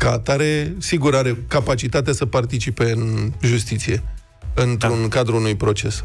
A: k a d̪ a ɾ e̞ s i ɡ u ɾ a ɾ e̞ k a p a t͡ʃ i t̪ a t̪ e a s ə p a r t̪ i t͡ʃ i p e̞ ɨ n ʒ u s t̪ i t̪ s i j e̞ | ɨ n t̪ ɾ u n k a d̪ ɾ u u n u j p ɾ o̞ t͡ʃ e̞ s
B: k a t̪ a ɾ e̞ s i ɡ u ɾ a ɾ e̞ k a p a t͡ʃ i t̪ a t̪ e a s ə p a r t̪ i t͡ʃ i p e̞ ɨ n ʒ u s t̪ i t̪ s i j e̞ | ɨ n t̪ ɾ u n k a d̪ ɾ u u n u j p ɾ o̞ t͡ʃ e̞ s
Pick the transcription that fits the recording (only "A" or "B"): B